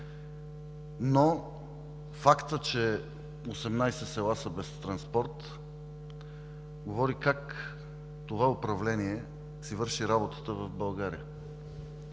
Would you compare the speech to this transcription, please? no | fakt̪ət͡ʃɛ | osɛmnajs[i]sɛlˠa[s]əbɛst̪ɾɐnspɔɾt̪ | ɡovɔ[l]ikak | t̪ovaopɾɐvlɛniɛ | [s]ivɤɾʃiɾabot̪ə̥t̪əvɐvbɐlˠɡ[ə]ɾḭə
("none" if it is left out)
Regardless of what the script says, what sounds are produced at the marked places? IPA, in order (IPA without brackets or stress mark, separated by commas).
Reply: ɛ, s, ɾ, s, a